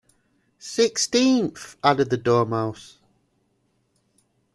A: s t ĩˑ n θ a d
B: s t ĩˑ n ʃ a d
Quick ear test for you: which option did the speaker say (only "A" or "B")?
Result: A